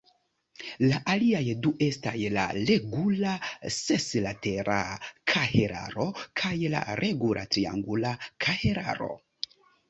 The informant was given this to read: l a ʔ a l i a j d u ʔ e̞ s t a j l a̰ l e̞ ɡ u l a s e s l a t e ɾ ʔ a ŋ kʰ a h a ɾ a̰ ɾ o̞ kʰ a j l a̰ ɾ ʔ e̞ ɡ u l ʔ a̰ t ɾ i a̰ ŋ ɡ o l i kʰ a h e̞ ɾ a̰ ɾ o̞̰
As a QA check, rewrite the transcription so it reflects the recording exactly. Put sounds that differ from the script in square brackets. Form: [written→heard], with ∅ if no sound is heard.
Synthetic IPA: l a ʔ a l i a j d u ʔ e̞ s t a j l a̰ l e̞ ɡ u l a s e s l a t e ɾ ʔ a [ŋ→∅] kʰ a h [a→e] ɾ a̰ ɾ o̞ kʰ a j l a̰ ɾ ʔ e̞ ɡ u l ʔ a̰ t ɾ i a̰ ŋ ɡ [o→u] l [i→a] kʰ a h e̞ ɾ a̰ ɾ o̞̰